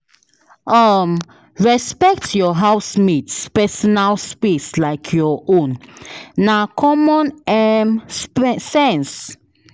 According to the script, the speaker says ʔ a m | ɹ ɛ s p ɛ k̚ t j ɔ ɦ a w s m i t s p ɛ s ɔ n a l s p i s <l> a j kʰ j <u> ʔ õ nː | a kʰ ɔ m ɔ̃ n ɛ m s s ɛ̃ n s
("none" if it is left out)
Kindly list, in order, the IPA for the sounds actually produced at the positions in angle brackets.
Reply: l, ɔ

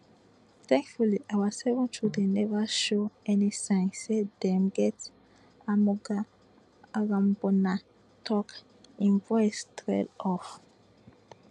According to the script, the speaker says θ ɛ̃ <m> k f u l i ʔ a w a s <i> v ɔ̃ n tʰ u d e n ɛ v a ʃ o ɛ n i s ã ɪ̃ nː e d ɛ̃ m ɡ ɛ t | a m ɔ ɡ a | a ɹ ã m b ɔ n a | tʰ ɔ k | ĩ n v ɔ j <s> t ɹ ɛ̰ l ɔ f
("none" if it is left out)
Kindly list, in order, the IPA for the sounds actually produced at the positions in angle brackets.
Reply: ŋ, ɛ, s

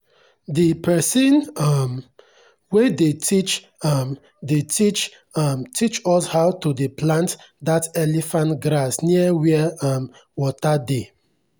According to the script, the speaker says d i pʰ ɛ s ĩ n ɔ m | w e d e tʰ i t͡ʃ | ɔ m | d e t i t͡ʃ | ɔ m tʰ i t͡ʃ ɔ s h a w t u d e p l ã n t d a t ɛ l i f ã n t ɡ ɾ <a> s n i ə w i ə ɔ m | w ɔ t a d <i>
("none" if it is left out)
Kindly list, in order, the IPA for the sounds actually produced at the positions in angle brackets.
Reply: a, e

